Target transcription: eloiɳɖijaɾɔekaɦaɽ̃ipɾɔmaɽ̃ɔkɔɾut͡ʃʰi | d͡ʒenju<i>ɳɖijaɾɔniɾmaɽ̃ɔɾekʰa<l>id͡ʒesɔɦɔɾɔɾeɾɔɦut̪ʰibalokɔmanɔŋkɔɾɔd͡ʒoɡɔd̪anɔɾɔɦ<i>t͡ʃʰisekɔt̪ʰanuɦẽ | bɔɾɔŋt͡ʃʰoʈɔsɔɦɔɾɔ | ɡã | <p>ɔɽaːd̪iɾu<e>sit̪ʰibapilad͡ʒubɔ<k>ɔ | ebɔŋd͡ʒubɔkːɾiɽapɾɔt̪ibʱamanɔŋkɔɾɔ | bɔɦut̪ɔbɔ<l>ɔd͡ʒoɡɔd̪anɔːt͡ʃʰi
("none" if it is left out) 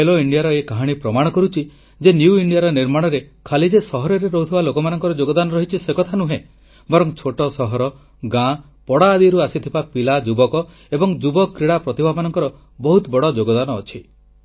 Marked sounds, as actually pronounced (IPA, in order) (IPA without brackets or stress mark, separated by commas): i, l, i, p, a, k, ɽ